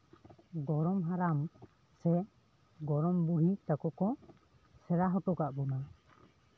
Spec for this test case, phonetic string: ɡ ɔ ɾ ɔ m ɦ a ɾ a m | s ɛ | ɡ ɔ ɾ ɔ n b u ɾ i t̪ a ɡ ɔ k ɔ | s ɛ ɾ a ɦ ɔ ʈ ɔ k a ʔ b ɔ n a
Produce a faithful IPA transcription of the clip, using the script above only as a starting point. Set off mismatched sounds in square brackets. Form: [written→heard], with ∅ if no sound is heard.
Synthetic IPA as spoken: ɡ ɔ ɾ ɔ m ɦ a ɾ a m | s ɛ | ɡ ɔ ɾ ɔ [n→m] b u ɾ i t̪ a [ɡ→k] ɔ k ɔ | s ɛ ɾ a ɦ ɔ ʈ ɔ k a ʔ b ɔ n a